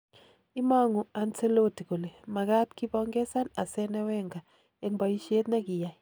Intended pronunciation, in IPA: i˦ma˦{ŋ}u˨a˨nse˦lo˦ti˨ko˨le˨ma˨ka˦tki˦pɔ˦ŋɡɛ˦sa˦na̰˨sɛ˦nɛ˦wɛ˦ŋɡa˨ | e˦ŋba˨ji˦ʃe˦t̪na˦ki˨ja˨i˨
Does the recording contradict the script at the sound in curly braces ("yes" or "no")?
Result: no